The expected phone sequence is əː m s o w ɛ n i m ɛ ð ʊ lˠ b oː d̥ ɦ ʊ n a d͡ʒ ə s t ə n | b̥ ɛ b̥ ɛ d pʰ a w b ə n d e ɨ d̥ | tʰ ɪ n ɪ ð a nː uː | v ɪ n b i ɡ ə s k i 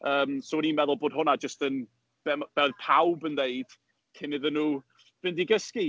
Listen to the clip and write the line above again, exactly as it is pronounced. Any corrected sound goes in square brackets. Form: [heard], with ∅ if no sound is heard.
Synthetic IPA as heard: əː m s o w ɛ n i m ɛ ð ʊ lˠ b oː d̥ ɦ ʊ n a d͡ʒ ə s t ə n | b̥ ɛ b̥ ɛ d pʰ a w b ə n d e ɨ d̥ | [kʰ] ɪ n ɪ ð [ə] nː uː | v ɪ n [d] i ɡ ə s k i

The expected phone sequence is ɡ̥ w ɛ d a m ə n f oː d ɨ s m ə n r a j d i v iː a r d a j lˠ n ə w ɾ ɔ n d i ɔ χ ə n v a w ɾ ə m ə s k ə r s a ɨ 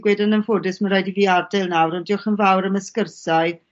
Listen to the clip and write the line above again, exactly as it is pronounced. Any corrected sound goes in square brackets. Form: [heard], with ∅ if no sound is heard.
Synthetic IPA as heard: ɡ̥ w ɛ d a [n] ə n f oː d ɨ s m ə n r a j d i v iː a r d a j lˠ n [a] w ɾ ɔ n d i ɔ χ ə n v a w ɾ ə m ə s k ə r s a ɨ

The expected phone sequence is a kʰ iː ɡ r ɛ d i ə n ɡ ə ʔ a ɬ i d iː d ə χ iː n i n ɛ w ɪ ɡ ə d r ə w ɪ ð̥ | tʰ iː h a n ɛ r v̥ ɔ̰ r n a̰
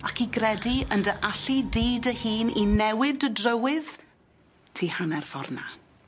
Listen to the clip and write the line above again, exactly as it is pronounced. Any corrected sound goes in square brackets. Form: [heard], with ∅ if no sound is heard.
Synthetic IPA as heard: a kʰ [i] ɡ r ɛ d i ə n [d] ə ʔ a ɬ i d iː d ə [h] iː n i n ɛ w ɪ [d] ə d r ə w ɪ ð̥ | tʰ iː h a n ɛ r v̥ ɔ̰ r n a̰

